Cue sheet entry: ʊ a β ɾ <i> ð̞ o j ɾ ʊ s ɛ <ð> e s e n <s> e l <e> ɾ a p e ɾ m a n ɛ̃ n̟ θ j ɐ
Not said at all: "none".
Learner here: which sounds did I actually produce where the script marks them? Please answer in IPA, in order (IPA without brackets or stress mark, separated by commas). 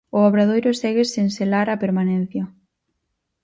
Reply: a, ɣ, s, a